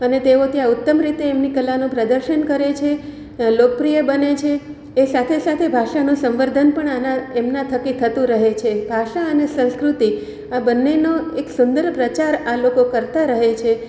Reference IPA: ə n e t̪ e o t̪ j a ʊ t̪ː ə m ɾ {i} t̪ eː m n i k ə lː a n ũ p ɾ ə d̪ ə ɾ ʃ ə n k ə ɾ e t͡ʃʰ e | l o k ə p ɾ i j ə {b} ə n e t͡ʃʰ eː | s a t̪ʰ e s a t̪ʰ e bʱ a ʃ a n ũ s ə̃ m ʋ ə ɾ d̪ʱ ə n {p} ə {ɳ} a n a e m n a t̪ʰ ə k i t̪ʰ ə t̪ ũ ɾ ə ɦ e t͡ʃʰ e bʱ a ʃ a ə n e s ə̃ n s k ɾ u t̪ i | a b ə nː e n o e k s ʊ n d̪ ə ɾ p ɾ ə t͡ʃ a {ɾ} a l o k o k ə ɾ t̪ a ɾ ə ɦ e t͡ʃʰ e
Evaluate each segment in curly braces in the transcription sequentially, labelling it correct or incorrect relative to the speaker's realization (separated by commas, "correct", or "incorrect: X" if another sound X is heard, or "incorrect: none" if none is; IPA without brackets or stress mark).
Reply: correct, correct, correct, correct, correct